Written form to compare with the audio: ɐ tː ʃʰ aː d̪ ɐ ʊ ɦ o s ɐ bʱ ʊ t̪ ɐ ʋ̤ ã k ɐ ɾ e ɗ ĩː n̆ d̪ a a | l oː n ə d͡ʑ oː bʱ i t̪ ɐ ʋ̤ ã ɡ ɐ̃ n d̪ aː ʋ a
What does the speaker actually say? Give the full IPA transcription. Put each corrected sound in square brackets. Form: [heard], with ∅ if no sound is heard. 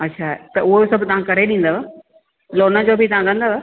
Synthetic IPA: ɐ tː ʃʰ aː [t̪] ɐ ʊ ɦ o s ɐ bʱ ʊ t̪ ɐ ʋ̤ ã k ɐ ɾ e ɗ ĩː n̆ d̪ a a | l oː n ə d͡ʑ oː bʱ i t̪ ɐ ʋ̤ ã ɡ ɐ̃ n d̪ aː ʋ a

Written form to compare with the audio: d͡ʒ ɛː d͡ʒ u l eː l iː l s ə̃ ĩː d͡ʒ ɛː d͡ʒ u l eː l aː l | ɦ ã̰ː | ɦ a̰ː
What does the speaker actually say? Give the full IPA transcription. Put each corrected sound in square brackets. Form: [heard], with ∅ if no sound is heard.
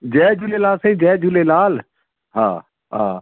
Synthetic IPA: d͡ʒ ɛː d͡ʒ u l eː l [aː] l s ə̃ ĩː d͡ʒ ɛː d͡ʒ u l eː l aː l | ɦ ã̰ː | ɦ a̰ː

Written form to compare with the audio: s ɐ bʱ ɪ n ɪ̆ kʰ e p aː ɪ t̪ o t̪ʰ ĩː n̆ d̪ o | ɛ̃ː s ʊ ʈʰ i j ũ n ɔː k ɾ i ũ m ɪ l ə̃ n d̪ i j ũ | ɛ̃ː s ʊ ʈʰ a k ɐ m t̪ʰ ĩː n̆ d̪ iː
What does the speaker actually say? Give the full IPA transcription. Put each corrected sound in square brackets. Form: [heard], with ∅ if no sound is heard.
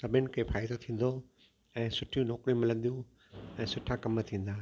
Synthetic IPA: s ɐ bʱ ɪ n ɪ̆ kʰ e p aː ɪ [d̪] o t̪ʰ ĩː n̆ d̪ o | ɛ̃ː s ʊ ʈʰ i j ũ n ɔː k ɾ i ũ m ɪ l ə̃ n d̪ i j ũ | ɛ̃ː s ʊ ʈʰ a k ɐ m t̪ʰ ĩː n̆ d̪ [aː]

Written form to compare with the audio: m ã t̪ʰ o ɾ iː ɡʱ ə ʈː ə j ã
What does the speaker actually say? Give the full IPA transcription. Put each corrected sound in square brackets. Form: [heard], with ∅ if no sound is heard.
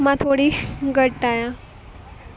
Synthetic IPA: m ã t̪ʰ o [ɽ] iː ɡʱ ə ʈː [a] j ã

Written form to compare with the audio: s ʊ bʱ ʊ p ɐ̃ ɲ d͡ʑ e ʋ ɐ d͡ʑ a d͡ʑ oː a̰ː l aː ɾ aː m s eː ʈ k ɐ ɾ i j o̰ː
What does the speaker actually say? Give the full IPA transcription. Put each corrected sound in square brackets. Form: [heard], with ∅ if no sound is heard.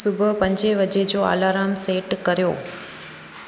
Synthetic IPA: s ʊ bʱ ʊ p ɐ̃ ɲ d͡ʑ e ʋ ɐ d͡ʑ [e] d͡ʑ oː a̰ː l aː ɾ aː m s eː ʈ k ɐ ɾ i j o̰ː

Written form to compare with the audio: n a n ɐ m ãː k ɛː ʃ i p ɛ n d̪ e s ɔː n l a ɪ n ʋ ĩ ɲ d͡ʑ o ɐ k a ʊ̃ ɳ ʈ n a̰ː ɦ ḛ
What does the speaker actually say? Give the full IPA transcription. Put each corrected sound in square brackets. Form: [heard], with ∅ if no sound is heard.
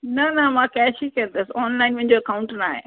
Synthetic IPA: n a n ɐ m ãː k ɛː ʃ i [k] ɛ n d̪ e s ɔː n l a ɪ n ʋ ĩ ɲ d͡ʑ o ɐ k a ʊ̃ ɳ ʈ n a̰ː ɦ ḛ

